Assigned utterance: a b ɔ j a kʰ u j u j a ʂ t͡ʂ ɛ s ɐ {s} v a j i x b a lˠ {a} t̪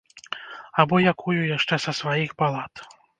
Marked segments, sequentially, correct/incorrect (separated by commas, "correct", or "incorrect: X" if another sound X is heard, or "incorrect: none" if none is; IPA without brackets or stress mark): correct, correct